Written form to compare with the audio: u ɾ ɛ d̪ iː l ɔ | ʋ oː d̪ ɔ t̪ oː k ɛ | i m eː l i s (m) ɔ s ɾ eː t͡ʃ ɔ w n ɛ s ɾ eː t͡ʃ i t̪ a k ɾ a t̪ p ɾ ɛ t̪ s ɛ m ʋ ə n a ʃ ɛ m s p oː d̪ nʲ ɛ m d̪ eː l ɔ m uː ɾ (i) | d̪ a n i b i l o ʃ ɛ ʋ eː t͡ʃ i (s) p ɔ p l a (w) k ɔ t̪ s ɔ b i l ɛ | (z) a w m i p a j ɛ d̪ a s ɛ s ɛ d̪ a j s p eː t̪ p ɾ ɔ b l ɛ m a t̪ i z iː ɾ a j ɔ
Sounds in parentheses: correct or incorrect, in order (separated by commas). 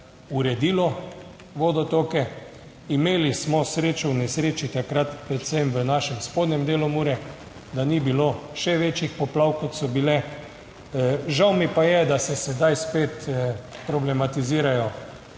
correct, incorrect, incorrect, correct, incorrect